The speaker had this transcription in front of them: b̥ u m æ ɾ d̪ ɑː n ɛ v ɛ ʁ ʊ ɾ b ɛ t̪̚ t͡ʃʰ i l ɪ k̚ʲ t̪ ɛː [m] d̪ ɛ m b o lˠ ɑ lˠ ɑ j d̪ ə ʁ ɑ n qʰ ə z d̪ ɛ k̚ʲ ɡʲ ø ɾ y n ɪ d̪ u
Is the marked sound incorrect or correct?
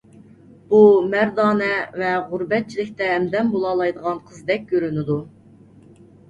correct